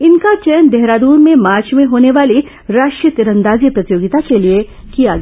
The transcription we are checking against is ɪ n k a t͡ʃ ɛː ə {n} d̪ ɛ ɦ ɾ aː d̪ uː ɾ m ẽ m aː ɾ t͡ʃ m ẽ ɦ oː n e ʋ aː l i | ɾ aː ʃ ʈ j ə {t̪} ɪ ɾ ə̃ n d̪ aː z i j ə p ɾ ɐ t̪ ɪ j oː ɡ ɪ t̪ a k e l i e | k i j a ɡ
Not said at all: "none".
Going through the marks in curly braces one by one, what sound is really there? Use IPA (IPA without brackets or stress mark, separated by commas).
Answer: n, t̪